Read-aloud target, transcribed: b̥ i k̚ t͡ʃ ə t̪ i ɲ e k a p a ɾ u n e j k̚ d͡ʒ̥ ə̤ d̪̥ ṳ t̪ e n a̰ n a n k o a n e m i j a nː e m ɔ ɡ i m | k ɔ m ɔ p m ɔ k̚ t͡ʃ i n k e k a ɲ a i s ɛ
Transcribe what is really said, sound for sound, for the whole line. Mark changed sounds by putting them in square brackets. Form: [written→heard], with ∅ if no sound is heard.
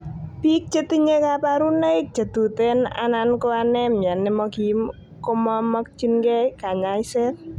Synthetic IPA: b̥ i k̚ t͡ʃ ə t̪ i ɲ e k a p a ɾ u n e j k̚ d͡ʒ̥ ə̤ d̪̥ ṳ t̪ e n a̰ n a n k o a n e m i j a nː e m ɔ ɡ i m | k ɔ m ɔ [p→∅] m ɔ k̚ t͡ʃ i n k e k a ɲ a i s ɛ